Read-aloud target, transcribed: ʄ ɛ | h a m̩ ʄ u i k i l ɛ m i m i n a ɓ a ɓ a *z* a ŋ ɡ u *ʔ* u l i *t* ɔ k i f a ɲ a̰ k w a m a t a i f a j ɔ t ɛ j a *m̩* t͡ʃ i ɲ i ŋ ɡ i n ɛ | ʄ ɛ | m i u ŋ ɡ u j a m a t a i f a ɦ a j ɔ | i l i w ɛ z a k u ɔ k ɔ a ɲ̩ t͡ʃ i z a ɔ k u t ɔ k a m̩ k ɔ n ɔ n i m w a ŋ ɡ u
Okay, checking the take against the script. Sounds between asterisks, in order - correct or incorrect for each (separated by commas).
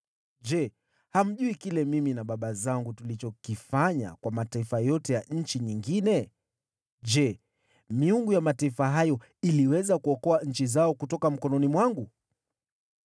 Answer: correct, incorrect, incorrect, incorrect